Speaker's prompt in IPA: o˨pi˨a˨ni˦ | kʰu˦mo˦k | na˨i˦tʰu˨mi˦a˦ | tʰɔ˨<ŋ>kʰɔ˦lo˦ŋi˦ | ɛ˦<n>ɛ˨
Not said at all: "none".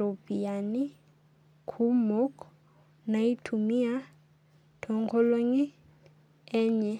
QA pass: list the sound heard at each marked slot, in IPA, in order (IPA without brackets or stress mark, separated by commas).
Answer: ŋ, ɲ